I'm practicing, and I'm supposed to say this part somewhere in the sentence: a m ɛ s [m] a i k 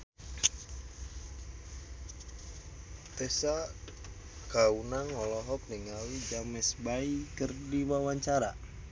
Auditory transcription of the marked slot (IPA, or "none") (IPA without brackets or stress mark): b